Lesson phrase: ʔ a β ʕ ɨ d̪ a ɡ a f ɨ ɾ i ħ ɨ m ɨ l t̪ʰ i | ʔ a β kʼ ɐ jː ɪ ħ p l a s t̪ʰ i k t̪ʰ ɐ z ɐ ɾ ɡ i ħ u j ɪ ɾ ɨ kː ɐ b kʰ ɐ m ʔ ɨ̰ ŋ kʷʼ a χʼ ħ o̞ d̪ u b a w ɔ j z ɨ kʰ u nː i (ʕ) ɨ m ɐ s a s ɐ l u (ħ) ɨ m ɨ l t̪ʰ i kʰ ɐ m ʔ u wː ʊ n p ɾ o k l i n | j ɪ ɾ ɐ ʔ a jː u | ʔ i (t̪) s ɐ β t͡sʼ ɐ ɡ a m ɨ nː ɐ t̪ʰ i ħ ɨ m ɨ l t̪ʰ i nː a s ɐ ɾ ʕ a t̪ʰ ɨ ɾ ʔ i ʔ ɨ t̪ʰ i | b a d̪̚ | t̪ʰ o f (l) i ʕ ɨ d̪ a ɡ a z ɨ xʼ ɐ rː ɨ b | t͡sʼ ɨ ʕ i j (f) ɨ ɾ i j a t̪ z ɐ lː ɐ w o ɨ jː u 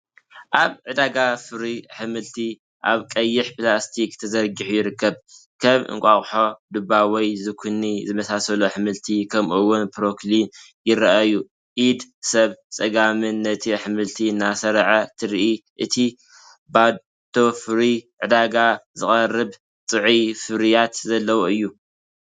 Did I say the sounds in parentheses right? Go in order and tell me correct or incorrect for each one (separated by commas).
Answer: incorrect, correct, incorrect, incorrect, correct